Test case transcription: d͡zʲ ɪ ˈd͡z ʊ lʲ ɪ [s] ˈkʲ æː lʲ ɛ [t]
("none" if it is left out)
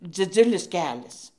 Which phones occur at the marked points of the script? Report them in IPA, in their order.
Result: s, s

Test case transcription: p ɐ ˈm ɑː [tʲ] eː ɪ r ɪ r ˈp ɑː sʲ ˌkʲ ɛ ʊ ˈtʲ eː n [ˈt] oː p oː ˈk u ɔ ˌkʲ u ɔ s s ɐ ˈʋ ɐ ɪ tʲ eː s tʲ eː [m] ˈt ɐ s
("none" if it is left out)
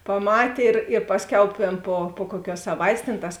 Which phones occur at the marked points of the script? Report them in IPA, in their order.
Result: tʲ, p, n

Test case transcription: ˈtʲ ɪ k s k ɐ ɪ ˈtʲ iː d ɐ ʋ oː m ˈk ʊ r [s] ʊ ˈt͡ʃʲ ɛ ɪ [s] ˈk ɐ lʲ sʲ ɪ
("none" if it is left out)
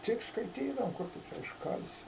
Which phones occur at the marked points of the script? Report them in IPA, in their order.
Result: t, ʃ

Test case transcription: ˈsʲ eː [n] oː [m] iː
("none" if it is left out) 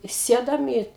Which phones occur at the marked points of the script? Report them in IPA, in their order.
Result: d, m

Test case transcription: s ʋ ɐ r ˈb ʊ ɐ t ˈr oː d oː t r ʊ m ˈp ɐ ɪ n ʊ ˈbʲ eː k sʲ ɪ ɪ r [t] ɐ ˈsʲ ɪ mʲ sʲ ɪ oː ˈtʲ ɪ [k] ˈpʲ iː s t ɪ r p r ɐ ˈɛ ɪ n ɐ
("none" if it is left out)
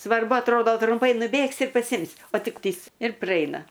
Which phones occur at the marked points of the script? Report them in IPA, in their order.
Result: p, k

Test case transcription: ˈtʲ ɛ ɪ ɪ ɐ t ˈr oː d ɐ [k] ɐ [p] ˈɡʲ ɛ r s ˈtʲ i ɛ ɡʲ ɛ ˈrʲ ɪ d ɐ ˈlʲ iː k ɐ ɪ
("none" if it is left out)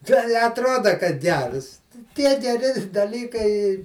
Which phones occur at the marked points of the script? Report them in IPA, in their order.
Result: k, t

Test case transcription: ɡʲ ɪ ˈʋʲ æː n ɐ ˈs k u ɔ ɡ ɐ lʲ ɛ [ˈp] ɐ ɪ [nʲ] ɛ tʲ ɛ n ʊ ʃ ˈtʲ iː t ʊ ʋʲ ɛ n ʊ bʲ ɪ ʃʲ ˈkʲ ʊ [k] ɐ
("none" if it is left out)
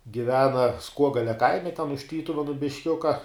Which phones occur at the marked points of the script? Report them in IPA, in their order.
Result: k, mʲ, k

